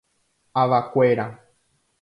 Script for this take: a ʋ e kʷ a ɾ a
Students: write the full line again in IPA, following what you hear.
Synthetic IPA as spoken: a ʋ a kʷ e ɾ a